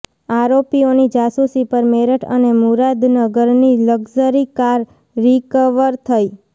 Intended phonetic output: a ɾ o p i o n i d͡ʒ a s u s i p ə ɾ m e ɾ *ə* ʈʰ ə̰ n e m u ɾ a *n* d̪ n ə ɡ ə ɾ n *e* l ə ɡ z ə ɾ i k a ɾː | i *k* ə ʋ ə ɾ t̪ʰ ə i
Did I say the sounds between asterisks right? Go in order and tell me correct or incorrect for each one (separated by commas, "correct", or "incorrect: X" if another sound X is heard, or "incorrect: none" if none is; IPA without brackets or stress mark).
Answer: correct, incorrect: none, incorrect: i, correct